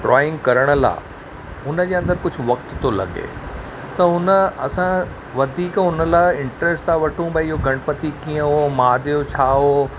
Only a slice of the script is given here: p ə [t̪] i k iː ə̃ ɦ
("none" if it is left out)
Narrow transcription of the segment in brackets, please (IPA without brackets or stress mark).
t̪